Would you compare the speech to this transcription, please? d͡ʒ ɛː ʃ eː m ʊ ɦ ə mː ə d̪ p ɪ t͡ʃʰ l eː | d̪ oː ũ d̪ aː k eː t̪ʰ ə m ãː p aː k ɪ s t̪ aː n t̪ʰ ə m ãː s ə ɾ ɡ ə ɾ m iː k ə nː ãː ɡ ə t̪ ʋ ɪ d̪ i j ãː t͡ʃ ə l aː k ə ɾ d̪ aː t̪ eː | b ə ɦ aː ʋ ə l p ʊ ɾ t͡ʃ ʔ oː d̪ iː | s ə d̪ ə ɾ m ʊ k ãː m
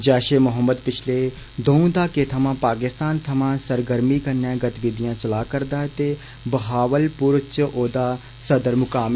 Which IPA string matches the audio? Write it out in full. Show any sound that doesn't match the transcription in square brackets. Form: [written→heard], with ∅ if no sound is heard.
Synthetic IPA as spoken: d͡ʒ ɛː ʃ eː m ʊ ɦ ə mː ə d̪ p ɪ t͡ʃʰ l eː | d̪ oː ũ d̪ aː k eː t̪ʰ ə m ãː p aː k ɪ s t̪ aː n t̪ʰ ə m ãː s ə ɾ ɡ ə ɾ m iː k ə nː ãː ɡ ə t̪ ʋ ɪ d̪ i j ãː t͡ʃ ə l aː k ə ɾ d̪ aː t̪ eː | b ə ɦ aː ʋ ə l p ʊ ɾ t͡ʃ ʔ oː d̪ [iː→aː] | s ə d̪ ə ɾ m ʊ k [ãː→aː] m